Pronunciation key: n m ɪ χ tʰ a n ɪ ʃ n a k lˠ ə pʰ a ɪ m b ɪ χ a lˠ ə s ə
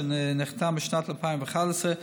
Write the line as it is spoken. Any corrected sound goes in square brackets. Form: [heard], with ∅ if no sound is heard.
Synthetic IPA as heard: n [n] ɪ χ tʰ a [m] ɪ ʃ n a [t] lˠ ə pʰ a ɪ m [v] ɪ χ a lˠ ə s ə